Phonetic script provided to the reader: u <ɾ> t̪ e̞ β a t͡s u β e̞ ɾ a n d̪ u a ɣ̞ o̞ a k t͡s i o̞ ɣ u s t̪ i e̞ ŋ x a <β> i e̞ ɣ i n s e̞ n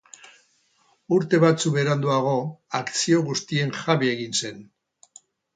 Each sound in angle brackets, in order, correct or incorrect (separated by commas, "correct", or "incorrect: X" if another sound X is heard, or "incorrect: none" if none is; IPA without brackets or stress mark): correct, correct